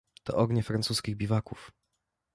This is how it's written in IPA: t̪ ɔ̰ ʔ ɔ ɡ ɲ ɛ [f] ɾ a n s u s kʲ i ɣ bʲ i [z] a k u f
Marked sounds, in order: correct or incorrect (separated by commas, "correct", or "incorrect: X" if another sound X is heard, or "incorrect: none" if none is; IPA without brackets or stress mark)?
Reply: correct, incorrect: v